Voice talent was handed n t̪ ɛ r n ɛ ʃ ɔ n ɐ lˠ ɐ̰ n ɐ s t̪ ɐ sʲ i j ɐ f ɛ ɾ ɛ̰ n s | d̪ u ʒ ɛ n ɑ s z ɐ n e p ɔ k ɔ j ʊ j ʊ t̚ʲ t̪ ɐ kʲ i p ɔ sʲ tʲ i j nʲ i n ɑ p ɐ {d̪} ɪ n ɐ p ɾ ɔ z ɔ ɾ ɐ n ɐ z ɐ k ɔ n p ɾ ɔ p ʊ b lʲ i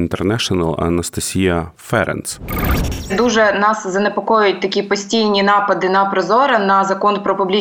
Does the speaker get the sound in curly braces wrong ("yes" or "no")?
no